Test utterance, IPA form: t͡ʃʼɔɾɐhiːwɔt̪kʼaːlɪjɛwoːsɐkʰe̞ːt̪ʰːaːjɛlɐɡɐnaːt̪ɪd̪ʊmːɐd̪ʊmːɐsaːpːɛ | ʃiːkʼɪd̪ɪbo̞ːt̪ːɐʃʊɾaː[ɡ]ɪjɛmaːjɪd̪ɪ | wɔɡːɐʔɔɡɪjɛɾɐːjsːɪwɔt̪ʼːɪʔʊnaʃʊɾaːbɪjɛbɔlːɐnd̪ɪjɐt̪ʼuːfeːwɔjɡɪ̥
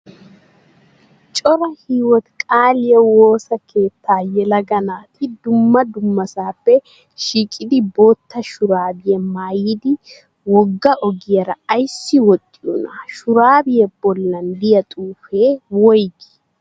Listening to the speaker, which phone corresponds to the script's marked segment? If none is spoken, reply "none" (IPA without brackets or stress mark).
b